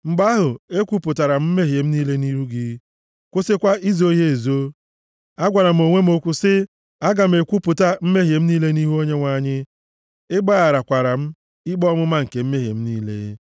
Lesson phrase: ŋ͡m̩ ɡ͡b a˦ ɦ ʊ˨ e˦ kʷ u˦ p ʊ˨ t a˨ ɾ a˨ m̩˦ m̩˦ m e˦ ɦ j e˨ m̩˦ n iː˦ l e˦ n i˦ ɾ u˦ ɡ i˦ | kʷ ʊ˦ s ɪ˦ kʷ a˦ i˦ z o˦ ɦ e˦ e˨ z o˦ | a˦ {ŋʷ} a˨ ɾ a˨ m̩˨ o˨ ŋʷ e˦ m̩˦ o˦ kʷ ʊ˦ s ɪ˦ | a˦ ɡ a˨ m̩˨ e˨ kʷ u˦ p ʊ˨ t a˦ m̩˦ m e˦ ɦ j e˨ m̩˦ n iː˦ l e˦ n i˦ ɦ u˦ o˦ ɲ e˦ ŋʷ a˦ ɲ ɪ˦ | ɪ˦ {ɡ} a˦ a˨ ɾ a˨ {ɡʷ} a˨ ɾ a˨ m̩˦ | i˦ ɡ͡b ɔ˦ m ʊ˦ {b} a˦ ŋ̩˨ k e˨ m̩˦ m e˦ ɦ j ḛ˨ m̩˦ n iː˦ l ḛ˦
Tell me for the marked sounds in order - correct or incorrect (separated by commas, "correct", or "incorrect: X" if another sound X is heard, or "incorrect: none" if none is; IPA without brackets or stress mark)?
incorrect: ɡʷ, incorrect: ɡ͡b, incorrect: kʷ, incorrect: m